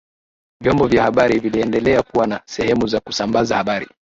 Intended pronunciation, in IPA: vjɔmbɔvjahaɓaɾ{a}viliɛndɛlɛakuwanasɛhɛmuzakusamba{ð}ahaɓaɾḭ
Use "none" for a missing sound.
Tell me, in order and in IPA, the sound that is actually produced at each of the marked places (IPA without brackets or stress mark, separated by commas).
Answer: i, z